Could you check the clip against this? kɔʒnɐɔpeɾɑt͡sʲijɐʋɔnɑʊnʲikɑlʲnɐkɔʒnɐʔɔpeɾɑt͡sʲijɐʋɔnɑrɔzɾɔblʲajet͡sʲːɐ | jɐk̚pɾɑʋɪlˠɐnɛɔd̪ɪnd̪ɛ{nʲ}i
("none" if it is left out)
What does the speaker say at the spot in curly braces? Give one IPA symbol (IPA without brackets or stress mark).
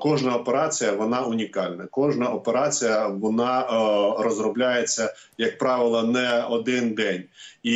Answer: nʲ